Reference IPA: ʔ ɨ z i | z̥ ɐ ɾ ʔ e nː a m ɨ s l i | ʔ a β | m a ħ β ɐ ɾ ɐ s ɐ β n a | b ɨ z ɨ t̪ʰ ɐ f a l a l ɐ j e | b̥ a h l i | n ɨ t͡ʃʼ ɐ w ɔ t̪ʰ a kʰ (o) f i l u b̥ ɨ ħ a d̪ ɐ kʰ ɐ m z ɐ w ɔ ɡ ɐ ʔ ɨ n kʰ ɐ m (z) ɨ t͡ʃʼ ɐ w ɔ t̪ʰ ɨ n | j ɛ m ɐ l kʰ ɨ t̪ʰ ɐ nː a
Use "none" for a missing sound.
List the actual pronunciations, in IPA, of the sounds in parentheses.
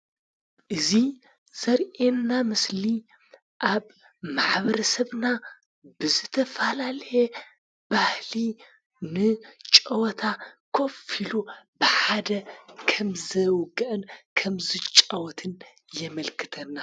o, z

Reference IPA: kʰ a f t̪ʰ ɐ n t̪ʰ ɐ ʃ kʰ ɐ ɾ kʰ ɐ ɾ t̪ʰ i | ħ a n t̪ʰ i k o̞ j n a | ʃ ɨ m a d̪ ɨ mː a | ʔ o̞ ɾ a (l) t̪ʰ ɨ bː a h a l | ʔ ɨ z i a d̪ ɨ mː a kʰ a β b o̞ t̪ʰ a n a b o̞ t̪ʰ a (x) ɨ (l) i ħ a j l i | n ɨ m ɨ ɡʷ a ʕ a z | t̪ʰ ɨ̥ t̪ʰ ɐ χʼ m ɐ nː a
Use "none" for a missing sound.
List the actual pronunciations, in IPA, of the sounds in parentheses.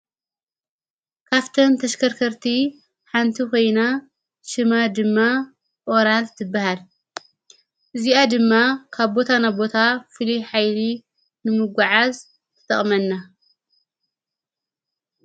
l, f, l

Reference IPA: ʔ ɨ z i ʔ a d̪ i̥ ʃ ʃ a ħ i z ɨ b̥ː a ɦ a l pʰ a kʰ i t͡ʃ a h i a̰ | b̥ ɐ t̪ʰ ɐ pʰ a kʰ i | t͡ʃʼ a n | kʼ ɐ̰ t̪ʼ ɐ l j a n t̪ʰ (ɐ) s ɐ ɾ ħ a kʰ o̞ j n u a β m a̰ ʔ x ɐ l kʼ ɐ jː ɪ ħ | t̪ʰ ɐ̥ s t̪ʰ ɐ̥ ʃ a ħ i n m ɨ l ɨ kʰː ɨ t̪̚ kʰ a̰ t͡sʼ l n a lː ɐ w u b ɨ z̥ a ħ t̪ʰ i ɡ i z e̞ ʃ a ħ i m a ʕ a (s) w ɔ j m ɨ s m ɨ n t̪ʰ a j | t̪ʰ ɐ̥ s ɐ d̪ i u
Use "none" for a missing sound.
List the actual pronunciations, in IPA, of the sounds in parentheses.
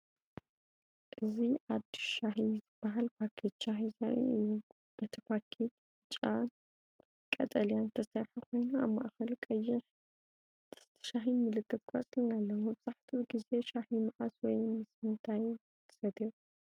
ɐ, s

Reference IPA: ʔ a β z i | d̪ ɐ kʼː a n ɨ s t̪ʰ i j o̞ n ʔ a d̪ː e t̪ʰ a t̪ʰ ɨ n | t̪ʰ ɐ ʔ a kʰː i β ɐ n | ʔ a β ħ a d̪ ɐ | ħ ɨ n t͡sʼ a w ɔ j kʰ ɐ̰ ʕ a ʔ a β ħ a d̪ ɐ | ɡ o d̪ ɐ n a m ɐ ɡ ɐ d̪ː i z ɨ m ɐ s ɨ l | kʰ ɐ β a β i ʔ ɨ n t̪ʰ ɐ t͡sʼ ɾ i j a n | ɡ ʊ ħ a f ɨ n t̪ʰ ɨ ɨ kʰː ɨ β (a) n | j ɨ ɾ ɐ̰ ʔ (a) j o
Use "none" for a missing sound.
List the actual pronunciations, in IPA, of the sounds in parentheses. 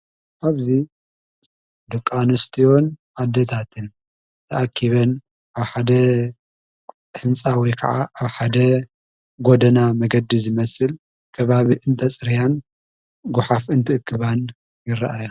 a, a

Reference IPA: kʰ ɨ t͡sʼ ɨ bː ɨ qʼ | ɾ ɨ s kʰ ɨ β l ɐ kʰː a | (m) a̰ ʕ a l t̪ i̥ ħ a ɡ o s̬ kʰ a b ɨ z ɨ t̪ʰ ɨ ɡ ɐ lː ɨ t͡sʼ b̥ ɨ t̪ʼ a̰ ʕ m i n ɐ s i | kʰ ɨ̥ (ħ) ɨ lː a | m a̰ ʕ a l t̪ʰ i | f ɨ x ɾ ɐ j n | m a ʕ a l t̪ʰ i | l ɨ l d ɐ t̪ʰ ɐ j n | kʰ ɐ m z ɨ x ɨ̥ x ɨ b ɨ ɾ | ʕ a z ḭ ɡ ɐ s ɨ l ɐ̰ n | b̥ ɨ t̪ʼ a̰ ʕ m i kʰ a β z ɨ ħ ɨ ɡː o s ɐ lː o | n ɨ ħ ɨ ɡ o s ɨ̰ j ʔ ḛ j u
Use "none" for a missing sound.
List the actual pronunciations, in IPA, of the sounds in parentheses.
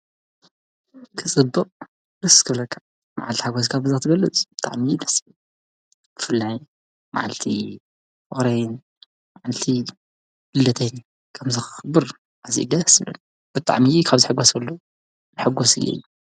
m, f

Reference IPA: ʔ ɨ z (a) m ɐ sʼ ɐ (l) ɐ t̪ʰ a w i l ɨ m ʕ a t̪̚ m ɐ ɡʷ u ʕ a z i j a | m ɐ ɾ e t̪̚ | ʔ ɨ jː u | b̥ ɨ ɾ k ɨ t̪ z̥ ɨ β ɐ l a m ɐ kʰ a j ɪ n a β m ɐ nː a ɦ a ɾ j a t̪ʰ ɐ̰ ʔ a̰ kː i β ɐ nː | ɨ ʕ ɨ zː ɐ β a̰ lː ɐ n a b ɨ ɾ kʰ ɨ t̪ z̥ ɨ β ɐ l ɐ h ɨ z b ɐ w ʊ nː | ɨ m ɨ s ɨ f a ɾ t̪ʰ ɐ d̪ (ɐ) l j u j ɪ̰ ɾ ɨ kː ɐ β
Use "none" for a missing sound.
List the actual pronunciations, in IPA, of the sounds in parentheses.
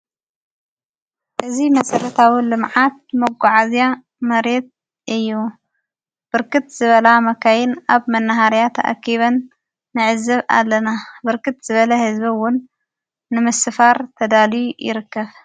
i, ɾ, a

